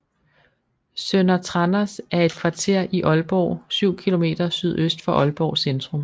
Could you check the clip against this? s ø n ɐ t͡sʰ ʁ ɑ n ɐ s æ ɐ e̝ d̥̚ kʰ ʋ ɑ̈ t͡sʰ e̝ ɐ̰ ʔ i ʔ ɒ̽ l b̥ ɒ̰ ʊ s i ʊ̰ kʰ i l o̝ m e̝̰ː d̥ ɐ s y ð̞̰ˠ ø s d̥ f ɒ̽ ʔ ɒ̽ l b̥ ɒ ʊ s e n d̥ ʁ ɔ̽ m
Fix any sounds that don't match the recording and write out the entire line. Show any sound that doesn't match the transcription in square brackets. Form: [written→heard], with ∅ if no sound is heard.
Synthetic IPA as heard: s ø n ɐ t͡sʰ ʁ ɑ n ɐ s æ ɐ e̝ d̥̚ kʰ ʋ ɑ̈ t͡sʰ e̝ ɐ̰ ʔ i ʔ ɒ̽ l b̥ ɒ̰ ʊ s [i→y] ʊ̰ kʰ i l o̝ m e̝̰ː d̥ ɐ s y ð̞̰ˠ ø s d̥ f ɒ̽ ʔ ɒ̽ l b̥ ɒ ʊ s e n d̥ ʁ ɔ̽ m